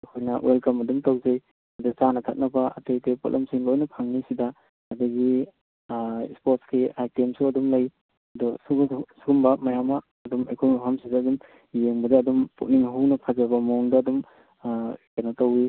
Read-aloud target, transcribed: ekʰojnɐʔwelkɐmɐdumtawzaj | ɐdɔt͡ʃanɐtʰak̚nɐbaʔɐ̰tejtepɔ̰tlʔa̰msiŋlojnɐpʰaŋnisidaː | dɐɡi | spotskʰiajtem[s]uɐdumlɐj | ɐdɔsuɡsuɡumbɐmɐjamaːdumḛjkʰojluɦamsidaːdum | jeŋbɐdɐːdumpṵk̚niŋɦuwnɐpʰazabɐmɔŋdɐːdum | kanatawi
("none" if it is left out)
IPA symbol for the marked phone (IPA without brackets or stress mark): s